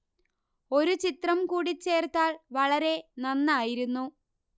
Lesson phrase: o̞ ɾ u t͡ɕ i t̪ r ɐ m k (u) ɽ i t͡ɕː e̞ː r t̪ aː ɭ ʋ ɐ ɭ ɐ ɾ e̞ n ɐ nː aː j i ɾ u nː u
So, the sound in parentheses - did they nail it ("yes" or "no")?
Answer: no